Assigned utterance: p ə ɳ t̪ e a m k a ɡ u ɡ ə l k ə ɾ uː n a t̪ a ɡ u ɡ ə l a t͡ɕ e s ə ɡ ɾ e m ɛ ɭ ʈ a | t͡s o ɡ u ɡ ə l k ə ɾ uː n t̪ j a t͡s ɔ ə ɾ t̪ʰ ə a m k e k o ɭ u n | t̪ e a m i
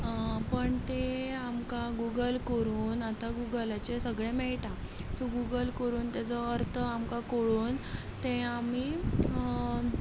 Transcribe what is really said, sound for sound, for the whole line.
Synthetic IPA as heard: p ə ɳ t̪ e a m k a ɡ u ɡ ə l k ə ɾ uː n a t̪ a ɡ u ɡ ə l a t͡ɕ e s ə ɡ ɭ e m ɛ ɭ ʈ a | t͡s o ɡ u ɡ ə l k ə ɾ uː n t̪ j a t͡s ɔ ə ɾ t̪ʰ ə a m k a k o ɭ uː n | t̪ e a m i